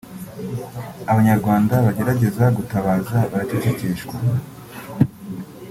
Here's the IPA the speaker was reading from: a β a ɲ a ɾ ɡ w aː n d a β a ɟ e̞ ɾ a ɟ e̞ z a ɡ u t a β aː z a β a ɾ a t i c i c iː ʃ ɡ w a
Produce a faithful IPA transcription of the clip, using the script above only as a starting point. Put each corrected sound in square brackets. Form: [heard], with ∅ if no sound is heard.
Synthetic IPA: a β a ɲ a ɾ ɡ w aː n d a β a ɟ e̞ ɾ a ɟ e̞ z a ɡ u t a β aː z a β a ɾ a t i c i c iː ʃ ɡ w a